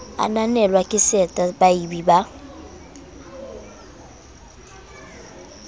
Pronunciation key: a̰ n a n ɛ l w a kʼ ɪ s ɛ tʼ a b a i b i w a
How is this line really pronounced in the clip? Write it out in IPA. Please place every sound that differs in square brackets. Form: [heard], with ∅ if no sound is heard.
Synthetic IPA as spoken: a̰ n a n ɛ l w a kʼ ɪ s ɛ tʼ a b a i b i [b] a